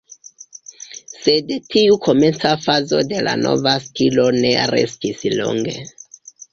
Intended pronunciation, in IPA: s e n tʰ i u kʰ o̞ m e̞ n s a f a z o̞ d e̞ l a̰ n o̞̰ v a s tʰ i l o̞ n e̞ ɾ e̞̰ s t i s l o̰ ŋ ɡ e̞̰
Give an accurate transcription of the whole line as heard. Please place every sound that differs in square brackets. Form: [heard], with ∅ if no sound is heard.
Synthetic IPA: s e [d] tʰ i u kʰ o̞ m e̞ n [t͡s] a f a z o̞ d e̞ l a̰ n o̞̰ v a s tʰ i l o̞ n e̞ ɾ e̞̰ s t i s l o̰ ŋ ɡ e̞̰